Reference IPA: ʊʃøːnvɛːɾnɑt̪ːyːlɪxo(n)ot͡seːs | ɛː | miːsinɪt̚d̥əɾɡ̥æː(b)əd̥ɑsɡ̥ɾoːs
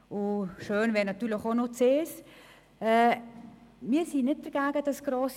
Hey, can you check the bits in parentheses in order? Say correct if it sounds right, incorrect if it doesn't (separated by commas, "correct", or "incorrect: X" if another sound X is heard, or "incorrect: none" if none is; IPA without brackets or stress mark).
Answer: correct, incorrect: ɡ